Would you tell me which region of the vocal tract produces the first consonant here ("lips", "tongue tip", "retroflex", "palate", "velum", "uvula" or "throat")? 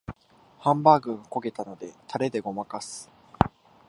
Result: throat